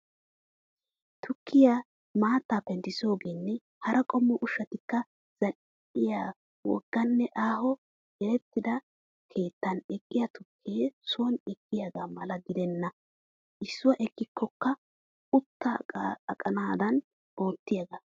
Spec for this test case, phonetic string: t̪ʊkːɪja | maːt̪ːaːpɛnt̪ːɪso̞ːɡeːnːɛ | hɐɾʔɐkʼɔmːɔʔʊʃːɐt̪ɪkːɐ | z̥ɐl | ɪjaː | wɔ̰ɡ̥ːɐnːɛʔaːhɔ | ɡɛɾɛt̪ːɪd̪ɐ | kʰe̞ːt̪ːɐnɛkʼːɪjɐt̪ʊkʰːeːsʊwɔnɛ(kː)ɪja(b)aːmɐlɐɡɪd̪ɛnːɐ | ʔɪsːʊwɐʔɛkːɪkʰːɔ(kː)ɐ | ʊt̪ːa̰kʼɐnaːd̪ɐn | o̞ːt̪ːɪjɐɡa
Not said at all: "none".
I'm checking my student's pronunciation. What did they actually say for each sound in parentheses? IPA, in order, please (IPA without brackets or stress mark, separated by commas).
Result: kː, ɡ, kː